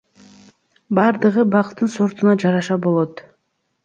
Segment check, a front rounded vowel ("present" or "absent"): absent